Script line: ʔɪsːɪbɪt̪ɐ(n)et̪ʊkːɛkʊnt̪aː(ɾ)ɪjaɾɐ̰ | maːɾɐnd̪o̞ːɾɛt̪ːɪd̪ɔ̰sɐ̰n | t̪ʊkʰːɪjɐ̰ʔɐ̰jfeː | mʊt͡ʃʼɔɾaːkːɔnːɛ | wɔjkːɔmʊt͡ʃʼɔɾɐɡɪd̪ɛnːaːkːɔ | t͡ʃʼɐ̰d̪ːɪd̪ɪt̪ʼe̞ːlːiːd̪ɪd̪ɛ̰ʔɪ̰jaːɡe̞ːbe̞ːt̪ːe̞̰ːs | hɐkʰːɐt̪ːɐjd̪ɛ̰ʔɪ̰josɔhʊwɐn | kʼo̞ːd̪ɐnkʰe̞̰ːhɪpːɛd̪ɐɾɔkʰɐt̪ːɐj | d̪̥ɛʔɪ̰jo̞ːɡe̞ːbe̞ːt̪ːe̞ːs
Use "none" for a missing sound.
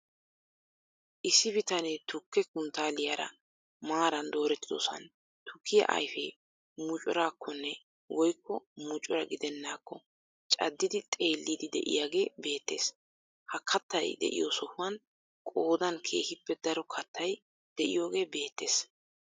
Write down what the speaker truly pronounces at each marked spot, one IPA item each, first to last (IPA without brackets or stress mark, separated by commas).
n, l